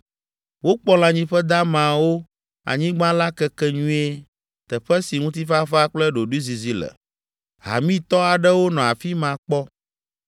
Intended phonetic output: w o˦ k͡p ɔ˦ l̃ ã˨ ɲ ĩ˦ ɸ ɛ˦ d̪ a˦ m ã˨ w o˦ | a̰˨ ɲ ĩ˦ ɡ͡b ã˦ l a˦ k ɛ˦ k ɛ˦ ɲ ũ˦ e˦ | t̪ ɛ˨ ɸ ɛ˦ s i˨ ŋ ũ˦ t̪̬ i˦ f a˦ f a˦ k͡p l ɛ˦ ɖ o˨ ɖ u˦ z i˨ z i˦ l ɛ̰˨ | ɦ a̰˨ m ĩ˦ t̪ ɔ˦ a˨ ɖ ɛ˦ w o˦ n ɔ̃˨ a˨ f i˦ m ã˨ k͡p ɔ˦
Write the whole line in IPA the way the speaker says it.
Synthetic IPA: w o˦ k͡p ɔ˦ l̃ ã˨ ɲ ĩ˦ ɸ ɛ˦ d̪ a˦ m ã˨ w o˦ | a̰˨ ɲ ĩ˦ ɡ͡b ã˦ l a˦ k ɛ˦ k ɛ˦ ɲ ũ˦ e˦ | t̪ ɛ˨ ɸ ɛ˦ s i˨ ŋ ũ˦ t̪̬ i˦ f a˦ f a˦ k͡p l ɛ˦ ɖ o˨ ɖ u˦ z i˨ z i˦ l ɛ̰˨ | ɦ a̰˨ m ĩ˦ t̪ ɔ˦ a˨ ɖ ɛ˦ w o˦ n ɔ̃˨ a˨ f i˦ m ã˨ k͡p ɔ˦